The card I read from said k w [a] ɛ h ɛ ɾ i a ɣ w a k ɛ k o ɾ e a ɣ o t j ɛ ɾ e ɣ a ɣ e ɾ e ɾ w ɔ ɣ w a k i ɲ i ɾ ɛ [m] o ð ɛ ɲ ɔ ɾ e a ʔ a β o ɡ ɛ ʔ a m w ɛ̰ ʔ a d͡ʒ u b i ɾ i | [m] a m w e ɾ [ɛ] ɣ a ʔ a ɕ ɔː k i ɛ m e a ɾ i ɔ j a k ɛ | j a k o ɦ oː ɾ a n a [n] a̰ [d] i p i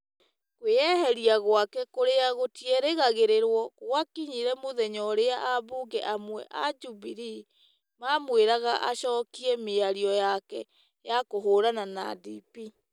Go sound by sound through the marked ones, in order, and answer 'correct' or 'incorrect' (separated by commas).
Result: incorrect, correct, correct, incorrect, correct, correct